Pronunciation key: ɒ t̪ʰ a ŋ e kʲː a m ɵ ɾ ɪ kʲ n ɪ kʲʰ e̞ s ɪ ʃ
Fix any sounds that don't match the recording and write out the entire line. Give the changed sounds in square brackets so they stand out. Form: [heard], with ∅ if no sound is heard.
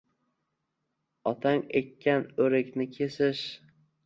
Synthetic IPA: ɒ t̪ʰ a ŋ e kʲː a [n] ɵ ɾ ɪ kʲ n ɪ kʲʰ e̞ s ɪ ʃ